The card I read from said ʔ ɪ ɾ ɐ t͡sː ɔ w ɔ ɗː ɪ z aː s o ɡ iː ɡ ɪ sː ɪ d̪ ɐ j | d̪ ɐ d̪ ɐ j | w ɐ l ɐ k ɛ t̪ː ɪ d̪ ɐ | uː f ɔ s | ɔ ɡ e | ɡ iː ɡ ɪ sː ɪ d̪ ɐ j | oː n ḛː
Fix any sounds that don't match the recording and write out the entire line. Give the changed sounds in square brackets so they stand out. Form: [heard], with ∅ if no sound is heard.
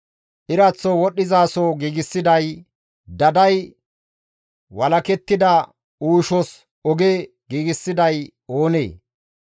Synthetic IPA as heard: ʔ ɪ ɾ ɐ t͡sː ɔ w ɔ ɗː ɪ z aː s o ɡ iː ɡ ɪ sː ɪ d̪ ɐ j | d̪ ɐ d̪ ɐ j | w ɐ l ɐ k ɛ t̪ː ɪ d̪ ɐ | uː [ʃ] ɔ s | ɔ ɡ e | ɡ iː ɡ ɪ sː ɪ d̪ ɐ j | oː n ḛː